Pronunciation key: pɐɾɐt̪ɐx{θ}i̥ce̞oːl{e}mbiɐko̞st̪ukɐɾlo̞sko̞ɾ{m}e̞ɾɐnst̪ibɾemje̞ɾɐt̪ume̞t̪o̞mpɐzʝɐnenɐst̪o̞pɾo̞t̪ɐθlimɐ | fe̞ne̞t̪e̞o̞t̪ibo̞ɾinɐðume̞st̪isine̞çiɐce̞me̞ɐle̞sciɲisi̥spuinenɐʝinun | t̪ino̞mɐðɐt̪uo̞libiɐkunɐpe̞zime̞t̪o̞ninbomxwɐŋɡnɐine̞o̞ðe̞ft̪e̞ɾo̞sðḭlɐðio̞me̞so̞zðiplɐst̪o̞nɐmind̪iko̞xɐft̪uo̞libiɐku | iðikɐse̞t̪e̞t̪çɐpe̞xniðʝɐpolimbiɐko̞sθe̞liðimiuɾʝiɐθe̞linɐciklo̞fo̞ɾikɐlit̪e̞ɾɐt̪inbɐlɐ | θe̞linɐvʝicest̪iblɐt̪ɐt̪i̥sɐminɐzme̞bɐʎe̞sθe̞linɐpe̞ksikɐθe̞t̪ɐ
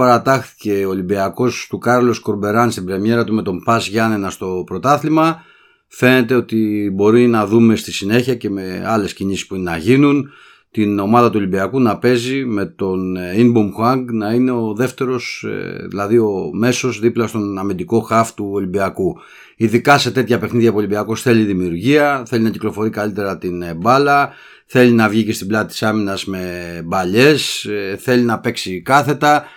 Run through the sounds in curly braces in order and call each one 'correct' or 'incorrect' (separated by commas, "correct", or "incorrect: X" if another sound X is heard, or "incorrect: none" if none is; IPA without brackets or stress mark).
correct, incorrect: i, incorrect: b